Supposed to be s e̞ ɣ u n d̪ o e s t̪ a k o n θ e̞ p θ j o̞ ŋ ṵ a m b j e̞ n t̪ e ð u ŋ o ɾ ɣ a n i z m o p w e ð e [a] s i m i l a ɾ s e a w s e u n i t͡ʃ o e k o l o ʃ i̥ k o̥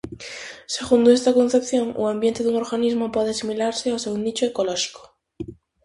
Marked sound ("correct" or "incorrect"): correct